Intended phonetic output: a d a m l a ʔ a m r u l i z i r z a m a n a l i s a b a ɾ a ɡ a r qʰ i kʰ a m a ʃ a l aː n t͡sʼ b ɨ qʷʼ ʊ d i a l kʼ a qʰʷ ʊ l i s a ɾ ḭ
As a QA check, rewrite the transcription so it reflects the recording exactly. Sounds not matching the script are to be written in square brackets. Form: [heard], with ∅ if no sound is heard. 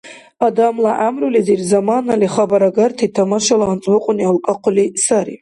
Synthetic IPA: a d a m l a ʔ a m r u l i z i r z a m a n a l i [χ] a b a ɾ a ɡ a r [tʰ] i [tʰ] a m a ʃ a l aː n t͡sʼ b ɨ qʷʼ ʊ [n] i a l kʼ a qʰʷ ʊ l i s a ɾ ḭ